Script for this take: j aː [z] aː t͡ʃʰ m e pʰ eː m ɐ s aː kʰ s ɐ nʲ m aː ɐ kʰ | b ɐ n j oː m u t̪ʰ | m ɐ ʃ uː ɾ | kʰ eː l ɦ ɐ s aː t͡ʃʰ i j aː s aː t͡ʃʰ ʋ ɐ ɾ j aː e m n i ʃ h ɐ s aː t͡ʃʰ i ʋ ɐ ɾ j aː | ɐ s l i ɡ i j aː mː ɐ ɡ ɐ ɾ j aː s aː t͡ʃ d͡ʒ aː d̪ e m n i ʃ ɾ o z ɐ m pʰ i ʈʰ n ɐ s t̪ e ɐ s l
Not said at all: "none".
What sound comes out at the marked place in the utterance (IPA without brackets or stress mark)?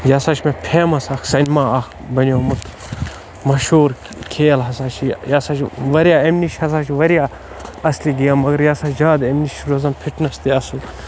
s